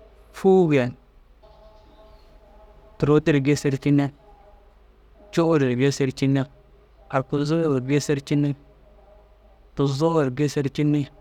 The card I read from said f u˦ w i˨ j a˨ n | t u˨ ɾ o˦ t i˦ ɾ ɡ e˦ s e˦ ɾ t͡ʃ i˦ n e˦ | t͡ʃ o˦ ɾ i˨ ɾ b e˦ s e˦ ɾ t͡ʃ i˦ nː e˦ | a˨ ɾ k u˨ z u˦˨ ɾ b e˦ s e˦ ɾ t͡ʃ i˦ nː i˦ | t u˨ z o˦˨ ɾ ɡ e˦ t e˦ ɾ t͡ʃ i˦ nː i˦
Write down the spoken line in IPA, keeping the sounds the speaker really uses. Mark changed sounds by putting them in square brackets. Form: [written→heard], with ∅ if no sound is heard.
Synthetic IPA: f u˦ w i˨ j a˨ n | t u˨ ɾ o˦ t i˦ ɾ ɡ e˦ s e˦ ɾ t͡ʃ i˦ n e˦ | t͡ʃ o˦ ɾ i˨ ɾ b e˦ s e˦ ɾ t͡ʃ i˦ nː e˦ | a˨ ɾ k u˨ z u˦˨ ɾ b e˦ s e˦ ɾ t͡ʃ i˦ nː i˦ | t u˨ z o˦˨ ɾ ɡ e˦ [t→s] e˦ ɾ t͡ʃ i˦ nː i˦